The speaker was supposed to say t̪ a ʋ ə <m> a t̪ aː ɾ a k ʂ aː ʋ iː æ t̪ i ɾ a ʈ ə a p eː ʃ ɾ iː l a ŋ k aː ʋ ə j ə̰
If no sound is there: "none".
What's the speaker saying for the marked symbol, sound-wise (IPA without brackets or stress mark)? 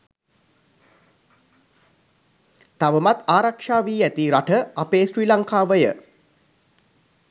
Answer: m